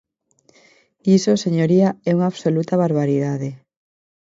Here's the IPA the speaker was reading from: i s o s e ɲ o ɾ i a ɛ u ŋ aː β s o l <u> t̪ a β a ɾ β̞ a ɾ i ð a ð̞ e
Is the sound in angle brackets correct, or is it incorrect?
correct